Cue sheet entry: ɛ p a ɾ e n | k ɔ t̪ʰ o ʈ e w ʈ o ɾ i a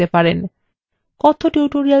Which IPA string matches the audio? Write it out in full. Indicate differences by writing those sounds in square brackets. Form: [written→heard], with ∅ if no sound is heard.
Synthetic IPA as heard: [ɛ→e] p a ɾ e n | k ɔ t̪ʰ o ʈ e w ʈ o ɾ i a